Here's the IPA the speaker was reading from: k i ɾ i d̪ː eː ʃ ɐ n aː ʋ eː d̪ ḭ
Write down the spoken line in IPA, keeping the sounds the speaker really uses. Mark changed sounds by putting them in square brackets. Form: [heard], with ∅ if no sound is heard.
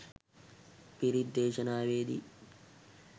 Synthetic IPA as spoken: [p] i ɾ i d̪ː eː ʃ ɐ n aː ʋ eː d̪ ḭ